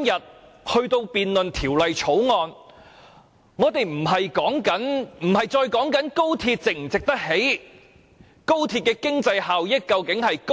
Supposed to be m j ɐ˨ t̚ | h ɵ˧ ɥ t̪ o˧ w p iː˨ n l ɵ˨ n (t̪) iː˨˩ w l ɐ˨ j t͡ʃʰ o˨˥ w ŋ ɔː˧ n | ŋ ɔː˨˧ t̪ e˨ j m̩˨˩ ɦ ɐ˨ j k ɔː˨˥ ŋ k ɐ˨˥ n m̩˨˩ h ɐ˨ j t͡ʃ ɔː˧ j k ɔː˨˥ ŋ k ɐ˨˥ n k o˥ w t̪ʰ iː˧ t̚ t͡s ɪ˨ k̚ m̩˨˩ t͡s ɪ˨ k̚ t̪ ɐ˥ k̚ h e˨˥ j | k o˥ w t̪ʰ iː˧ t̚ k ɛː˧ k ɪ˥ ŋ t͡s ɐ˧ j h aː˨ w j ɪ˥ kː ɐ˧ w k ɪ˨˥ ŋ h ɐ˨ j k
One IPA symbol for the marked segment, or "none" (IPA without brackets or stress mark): t̪ʰ